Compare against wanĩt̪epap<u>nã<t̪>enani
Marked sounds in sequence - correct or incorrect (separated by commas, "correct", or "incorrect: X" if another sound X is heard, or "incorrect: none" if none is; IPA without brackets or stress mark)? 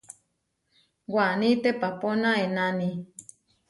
incorrect: o, incorrect: none